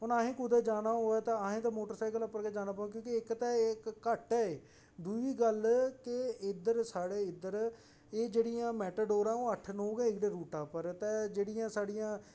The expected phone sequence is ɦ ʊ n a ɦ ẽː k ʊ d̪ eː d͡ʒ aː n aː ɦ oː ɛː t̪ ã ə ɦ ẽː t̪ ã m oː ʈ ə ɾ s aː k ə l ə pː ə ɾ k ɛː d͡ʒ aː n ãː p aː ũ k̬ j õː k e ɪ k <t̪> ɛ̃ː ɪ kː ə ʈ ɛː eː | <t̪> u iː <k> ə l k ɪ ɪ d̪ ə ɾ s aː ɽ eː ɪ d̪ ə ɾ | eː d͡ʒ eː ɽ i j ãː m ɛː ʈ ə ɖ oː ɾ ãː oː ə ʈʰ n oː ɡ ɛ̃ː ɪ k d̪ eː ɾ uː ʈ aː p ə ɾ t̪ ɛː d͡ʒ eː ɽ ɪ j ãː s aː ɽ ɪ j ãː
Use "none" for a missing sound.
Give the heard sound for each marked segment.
t̪, d̪, ɡ

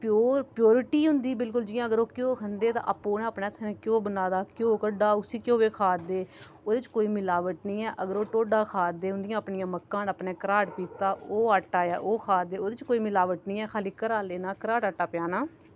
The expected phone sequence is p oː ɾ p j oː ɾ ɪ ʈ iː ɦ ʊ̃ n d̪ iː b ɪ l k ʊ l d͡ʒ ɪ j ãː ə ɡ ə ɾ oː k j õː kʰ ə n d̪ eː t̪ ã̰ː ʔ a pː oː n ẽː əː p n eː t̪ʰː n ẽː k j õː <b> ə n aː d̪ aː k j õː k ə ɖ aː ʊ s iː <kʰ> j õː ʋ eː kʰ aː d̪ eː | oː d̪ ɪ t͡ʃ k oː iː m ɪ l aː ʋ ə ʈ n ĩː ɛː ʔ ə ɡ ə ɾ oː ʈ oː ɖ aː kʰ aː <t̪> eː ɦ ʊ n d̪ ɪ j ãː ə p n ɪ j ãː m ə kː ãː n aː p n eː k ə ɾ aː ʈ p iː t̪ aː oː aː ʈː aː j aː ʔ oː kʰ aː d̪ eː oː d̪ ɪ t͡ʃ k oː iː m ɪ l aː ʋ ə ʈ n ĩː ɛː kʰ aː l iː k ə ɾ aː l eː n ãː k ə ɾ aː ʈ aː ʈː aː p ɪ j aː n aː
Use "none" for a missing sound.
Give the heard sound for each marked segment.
b, k, d̪

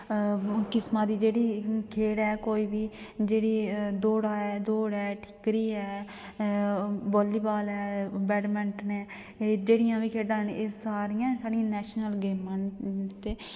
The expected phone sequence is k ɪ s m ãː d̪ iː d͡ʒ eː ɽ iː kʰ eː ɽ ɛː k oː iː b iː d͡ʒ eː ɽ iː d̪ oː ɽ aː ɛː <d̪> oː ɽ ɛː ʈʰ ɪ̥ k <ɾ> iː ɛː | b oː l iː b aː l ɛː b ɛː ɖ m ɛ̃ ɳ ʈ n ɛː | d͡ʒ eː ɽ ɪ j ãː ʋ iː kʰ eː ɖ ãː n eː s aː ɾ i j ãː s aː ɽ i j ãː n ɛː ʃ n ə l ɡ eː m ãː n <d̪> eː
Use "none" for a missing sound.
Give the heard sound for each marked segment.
d̪, ɾ, t̪

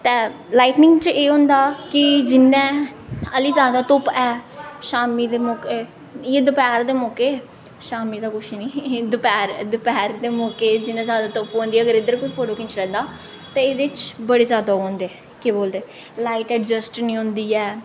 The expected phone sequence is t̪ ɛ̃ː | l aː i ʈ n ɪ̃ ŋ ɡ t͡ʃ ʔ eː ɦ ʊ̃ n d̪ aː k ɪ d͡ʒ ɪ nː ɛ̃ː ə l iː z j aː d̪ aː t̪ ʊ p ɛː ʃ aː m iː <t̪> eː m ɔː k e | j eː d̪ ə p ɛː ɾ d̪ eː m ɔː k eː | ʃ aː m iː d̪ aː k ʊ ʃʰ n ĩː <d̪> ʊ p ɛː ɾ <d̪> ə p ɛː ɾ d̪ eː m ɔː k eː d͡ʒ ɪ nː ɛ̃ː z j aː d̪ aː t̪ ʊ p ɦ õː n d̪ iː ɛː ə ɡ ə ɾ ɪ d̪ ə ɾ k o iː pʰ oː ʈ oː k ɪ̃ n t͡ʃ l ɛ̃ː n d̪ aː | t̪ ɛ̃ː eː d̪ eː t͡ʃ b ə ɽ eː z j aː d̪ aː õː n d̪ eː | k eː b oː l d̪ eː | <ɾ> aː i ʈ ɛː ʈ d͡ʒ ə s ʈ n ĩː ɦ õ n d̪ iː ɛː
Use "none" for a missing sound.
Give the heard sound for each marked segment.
d̪, d̪, d̪, l

